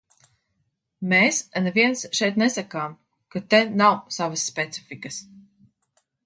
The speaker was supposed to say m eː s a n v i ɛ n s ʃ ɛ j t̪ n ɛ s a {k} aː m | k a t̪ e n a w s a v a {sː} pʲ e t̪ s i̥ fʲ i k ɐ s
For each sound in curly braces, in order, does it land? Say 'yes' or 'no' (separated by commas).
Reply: yes, yes